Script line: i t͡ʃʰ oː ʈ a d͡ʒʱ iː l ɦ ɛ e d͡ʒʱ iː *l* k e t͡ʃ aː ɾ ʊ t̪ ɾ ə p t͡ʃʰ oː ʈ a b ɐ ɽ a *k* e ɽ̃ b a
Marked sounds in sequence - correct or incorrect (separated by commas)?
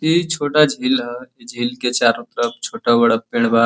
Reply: correct, incorrect